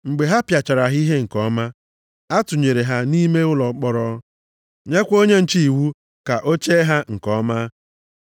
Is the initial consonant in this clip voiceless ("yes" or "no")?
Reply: no